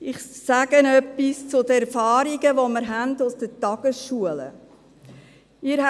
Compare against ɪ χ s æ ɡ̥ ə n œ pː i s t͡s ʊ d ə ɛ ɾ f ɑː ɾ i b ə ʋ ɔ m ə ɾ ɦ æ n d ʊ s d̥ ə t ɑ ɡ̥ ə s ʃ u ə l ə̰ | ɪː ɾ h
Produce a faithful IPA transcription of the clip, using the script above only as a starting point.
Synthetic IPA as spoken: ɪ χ s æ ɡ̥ ə n œ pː i s t͡s ʊ d ə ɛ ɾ f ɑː ɾ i ɡ ə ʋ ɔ m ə ɾ ɦ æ n d ʊ s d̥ ə t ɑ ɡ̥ ə s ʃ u ə l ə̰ | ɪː ɾ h